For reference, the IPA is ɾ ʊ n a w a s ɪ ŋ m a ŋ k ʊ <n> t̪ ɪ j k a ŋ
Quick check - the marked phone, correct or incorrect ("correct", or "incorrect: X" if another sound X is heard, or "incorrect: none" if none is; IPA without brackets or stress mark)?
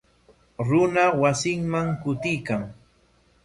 incorrect: none